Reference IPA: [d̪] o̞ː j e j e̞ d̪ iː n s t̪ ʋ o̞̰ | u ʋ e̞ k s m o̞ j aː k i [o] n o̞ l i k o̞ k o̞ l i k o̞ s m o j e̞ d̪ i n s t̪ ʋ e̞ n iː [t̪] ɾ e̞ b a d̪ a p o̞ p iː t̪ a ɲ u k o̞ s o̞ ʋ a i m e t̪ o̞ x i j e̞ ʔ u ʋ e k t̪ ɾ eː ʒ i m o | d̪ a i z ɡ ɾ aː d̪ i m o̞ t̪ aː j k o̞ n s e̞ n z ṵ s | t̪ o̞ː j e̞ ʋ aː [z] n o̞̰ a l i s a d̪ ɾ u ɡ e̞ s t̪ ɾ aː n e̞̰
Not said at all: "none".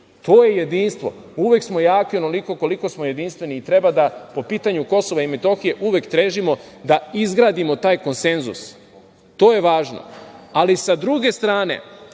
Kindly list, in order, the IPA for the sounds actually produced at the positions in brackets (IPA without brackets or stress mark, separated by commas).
t̪, o, t̪, ʒ